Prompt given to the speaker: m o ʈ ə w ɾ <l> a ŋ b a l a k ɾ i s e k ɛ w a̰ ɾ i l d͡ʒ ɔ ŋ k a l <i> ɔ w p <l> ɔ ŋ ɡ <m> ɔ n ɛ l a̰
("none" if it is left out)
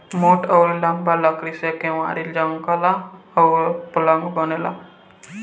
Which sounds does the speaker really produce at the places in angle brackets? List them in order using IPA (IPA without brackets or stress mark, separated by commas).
l, a, l, b